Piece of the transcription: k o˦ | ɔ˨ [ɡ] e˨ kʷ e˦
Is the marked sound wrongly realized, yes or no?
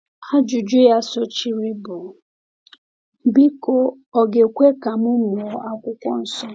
no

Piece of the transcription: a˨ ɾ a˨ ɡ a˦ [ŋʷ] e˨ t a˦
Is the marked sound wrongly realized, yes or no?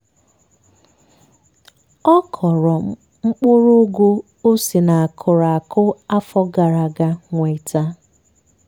no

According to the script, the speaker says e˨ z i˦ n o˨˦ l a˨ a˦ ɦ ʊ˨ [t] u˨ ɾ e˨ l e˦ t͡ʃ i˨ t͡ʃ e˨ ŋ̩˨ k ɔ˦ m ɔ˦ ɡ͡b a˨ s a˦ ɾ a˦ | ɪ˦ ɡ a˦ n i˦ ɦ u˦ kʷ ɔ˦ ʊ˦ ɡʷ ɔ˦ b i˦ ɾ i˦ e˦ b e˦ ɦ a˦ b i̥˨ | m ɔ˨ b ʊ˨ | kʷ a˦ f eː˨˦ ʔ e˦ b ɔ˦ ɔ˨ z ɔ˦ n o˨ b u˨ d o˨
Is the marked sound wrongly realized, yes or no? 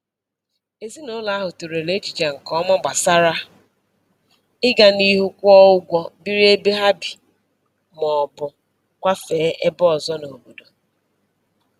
no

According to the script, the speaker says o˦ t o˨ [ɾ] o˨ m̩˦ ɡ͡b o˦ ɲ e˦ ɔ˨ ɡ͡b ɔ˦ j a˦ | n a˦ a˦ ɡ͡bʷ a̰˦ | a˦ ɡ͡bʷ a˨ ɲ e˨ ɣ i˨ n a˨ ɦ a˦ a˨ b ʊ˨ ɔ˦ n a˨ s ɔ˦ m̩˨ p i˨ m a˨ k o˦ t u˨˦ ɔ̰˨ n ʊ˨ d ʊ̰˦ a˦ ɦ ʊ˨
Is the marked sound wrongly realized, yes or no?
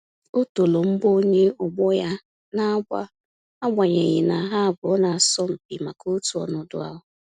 yes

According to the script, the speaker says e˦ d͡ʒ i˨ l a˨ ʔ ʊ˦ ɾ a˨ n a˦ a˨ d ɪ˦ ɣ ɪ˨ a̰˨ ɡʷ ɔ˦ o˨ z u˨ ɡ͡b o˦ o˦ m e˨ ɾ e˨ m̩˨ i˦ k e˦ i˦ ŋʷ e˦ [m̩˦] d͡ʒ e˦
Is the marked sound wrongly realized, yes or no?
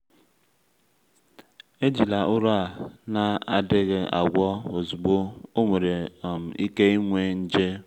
yes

